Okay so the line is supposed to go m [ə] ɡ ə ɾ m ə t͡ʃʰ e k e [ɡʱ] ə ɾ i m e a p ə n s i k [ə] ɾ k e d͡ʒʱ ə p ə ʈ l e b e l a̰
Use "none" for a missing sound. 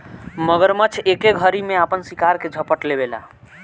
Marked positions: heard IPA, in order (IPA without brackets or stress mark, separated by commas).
ə, ɡʱ, a